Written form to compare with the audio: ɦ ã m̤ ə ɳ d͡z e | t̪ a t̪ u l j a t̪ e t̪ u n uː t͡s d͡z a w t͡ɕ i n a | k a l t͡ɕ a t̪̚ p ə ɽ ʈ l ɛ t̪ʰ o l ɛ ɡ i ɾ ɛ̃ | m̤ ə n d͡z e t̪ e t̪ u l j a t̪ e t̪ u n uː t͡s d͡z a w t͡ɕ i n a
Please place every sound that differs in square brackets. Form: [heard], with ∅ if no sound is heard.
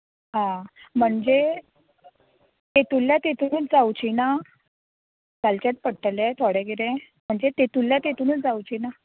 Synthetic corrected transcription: ɦ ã m̤ ə ɳ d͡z e | t̪ [e] t̪ u l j a t̪ e t̪ u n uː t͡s d͡z a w t͡ɕ i n a | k a l t͡ɕ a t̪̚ p ə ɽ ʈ l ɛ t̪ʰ o [ɽ] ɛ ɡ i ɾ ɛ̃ | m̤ ə [ɳ] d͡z e t̪ e t̪ u l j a t̪ e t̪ u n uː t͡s d͡z a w t͡ɕ i n a